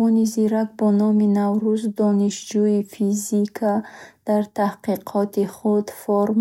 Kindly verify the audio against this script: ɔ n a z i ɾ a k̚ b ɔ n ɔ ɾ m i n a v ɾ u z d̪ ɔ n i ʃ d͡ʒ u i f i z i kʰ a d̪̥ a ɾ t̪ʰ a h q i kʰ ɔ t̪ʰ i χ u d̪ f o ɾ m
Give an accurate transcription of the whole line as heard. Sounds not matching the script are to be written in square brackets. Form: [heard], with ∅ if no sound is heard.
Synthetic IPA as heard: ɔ n [i] z i ɾ a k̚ b ɔ n ɔ [∅] m i n a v ɾ u z d̪ ɔ n i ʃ d͡ʒ u i f i z i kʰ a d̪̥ a ɾ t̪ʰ a h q i [qʰ] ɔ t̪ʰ i χ u d̪ f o ɾ m